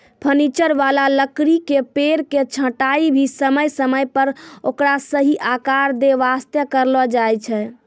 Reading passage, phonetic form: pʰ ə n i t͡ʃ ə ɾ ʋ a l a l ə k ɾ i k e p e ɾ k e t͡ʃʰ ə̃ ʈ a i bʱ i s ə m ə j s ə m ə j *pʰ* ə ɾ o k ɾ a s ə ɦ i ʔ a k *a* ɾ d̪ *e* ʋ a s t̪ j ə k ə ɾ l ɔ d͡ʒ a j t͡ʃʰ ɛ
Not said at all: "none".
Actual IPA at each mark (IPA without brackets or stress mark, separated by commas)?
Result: p, a, e